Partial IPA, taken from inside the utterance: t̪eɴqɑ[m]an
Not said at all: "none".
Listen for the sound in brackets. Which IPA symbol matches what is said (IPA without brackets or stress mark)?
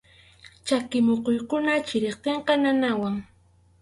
n